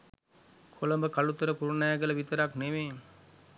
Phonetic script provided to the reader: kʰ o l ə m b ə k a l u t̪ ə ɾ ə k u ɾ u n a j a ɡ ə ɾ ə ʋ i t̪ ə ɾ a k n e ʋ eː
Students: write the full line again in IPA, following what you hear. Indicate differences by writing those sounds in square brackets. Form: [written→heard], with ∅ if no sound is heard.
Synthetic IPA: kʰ o l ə m b ə k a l u t̪ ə ɾ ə k u ɾ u n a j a ɡ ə [ɾ→l] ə ʋ i t̪ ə ɾ a k n e ʋ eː